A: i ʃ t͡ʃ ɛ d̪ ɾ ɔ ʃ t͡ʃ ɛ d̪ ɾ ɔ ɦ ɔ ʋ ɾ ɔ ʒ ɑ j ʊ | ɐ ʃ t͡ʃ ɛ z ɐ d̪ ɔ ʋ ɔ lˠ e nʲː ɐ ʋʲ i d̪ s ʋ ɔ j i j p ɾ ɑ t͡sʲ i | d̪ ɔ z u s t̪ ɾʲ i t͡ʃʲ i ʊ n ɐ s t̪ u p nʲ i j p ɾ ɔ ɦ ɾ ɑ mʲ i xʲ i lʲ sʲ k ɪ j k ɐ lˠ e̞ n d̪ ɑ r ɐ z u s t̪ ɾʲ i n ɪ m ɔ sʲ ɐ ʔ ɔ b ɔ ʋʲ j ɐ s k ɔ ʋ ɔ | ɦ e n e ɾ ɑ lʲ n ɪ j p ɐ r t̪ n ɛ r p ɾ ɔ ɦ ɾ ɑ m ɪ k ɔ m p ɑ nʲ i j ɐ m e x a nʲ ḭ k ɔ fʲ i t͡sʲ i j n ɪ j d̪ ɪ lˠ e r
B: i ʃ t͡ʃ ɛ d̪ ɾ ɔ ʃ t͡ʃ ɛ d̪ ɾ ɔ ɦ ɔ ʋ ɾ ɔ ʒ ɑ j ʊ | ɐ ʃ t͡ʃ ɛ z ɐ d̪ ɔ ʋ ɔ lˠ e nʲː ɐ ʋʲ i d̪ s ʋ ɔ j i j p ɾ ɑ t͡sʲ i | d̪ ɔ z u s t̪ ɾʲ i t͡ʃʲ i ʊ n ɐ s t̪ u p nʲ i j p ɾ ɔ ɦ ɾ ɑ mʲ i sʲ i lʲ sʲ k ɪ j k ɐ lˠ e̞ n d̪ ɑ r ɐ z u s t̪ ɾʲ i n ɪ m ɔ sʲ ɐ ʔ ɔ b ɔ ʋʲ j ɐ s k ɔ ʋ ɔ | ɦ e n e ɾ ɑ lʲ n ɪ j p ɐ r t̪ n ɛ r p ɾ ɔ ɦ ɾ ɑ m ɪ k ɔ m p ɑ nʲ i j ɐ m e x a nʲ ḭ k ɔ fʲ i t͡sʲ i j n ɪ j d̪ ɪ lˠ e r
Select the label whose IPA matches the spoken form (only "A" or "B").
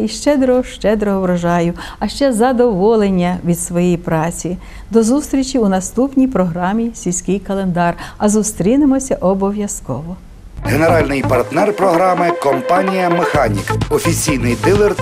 B